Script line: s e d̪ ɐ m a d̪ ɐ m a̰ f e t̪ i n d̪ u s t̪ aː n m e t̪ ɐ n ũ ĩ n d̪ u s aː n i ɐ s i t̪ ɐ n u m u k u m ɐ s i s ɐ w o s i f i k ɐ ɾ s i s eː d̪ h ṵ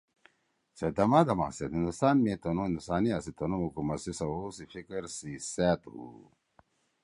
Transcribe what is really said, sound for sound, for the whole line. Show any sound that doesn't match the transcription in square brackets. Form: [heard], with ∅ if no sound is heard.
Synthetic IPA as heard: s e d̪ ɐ m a d̪ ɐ m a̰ [s] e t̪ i n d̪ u s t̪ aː n m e t̪ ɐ n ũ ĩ n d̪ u s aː n i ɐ s i t̪ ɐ n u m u k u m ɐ s i s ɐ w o s i f i k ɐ ɾ s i s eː [t̪] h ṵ